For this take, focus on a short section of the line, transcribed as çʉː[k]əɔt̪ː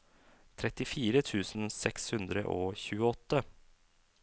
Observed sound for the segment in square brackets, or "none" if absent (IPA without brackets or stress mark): none